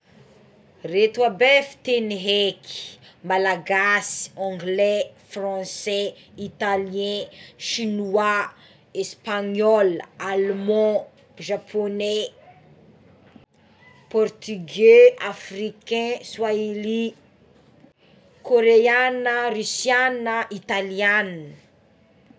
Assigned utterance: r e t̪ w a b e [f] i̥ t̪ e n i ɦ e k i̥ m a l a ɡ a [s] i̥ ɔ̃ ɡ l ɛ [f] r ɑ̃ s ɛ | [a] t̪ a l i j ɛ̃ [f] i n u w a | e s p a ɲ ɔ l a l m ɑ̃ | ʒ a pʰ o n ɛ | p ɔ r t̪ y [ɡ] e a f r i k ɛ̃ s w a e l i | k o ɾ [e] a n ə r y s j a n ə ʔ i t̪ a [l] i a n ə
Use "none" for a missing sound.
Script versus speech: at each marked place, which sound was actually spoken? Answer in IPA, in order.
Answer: f, s, f, i, ʃ, ɡ, e, l

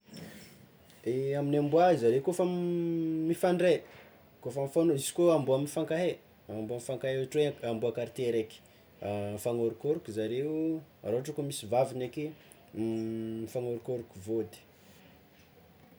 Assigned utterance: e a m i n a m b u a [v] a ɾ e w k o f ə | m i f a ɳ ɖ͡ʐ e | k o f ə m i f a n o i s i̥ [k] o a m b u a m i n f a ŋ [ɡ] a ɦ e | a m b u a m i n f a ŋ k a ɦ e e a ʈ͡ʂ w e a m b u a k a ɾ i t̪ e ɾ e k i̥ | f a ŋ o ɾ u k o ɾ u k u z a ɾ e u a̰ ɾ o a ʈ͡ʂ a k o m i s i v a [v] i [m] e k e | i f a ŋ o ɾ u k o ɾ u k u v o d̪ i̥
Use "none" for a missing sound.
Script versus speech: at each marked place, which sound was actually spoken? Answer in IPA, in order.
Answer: z, k, k, v, n

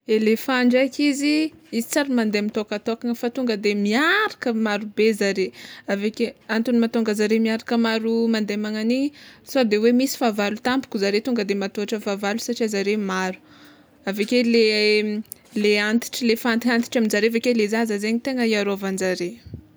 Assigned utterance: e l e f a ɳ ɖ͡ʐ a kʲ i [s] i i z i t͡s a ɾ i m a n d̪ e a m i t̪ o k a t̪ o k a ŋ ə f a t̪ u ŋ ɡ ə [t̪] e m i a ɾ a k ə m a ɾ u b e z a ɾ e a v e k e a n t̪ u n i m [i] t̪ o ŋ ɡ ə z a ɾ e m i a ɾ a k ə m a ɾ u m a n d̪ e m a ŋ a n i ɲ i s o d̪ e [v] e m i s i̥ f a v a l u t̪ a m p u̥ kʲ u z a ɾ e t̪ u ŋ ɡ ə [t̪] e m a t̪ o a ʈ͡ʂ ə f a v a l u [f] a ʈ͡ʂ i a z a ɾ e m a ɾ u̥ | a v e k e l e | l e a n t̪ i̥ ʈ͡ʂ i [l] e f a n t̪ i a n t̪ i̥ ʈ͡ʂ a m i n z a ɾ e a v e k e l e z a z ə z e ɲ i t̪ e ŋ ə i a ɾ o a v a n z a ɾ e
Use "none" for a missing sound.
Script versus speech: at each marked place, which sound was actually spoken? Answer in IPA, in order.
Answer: z, d̪, a, w, d̪, s, l

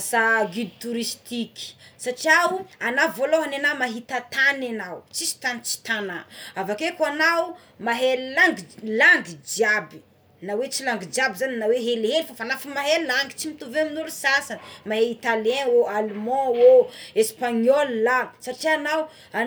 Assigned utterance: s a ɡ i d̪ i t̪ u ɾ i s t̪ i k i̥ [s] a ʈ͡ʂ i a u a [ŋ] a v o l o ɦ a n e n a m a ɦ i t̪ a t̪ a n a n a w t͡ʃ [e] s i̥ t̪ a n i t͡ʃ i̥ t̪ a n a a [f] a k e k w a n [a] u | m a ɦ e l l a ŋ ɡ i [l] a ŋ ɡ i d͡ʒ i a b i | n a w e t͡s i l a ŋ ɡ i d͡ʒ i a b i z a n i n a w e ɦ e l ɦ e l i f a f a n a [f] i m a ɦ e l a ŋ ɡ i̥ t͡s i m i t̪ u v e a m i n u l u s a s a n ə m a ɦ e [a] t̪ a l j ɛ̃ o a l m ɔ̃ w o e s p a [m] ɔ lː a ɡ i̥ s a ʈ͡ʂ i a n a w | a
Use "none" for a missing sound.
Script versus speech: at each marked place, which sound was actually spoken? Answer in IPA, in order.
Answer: s, n, i, v, a, l, f, i, ɲ

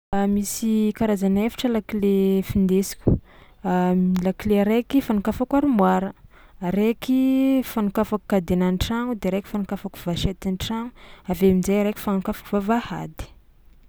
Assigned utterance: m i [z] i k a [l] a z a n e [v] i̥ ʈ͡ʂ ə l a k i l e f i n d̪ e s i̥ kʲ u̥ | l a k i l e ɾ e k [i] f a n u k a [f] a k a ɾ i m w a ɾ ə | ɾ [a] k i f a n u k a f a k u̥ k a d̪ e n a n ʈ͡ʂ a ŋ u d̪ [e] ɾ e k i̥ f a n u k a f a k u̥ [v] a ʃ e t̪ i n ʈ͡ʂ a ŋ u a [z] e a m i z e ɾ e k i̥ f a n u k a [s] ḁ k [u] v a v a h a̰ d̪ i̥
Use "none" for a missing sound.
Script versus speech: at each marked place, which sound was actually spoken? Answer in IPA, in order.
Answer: s, ɾ, f, i, f, e, e, v, v, f, u

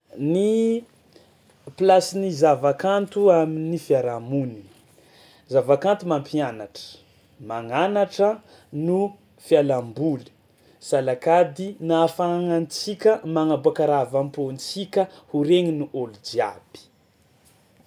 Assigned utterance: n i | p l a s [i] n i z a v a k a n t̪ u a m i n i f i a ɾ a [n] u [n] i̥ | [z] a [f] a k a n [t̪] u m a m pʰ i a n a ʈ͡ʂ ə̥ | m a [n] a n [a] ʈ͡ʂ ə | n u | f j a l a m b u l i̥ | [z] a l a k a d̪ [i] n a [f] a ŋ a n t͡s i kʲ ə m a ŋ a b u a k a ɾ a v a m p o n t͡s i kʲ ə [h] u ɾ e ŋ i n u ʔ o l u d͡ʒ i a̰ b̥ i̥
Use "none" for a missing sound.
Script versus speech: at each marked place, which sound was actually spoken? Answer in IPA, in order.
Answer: i, m, n, z, v, t̪, ŋ, a, s, i, f, h

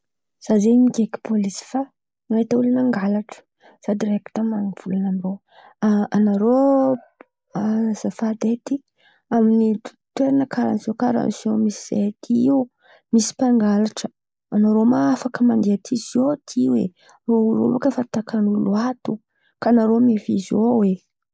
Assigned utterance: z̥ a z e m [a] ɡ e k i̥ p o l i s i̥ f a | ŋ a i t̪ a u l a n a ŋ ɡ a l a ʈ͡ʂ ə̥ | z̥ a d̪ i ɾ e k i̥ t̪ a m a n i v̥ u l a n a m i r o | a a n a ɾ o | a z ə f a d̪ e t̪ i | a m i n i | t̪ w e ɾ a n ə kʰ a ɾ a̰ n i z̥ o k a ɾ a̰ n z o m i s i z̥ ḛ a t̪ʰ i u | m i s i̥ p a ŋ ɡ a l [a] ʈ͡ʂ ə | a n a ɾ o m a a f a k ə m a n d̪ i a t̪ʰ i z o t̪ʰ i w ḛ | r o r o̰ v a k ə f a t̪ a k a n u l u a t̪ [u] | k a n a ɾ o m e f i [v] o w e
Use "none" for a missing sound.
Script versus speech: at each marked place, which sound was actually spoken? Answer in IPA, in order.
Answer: i, a, u, z

